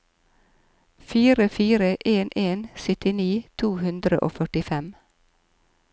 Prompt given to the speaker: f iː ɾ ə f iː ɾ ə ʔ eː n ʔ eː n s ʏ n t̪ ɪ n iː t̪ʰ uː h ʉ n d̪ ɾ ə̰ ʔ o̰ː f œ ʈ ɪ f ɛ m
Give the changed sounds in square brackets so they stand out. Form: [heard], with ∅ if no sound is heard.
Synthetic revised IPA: f iː ɾ ə f iː ɾ ə ʔ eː n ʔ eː n s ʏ [∅] t̪ ɪ n iː t̪ʰ uː h ʉ n d̪ ɾ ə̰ ʔ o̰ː f œ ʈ ɪ f ɛ m